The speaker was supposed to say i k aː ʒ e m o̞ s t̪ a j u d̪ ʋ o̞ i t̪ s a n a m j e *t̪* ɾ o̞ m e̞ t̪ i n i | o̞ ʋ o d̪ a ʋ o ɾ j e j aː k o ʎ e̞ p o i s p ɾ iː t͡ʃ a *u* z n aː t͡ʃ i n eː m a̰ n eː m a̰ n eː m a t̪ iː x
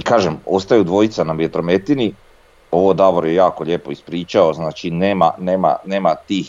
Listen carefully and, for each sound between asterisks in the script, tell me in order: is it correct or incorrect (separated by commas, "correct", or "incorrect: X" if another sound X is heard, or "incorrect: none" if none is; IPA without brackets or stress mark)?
correct, incorrect: o